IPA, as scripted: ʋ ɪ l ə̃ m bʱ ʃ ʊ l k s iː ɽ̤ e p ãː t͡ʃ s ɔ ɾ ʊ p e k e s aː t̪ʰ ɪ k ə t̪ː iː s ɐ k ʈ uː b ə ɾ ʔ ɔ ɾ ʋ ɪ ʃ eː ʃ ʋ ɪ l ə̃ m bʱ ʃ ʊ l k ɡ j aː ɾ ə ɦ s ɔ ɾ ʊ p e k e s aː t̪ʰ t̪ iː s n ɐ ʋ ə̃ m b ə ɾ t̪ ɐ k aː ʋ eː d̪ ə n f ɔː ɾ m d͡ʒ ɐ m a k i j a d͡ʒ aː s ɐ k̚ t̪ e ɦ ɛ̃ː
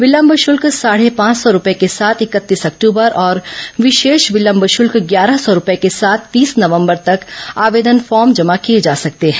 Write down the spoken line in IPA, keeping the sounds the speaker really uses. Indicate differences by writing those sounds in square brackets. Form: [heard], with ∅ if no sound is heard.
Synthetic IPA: ʋ ɪ l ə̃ m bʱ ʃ ʊ l k s [aː] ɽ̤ e p ãː t͡ʃ s ɔ ɾ ʊ p e k e s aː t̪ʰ ɪ k ə t̪ː iː s ɐ k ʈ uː b ə ɾ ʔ [ɔː] ɾ ʋ ɪ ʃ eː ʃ ʋ ɪ l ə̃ m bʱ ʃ ʊ l k ɡ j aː ɾ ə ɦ s ɔ ɾ ʊ p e k e s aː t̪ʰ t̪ iː s n ɐ ʋ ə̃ m b ə ɾ t̪ ɐ k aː ʋ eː d̪ ə n f ɔː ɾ m d͡ʒ ɐ m a k i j [e] d͡ʒ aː s ɐ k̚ t̪ e ɦ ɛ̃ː